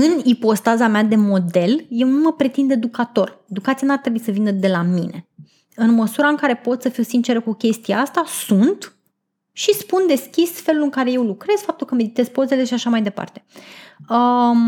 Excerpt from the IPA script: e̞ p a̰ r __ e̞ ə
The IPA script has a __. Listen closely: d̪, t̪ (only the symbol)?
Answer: t̪